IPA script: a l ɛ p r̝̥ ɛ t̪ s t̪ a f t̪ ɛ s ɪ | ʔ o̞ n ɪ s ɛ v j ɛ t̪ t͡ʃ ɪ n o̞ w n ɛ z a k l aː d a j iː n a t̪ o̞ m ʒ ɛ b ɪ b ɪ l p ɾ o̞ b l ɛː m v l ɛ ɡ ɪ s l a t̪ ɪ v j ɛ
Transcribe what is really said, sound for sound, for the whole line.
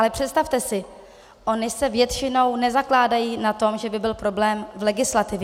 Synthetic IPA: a l ɛ p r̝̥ ɛ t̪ s t̪ a f t̪ ɛ s ɪ | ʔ o̞ n ɪ s ɛ v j ɛ t̪ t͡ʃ ɪ n o̞ w n ɛ z a k l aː d a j iː n a t̪ o̞ m ʒ ɛ b ɪ b ɪ l p ɾ o̞ b l ɛː m v l ɛ ɡ ɪ s l a t̪ ɪ v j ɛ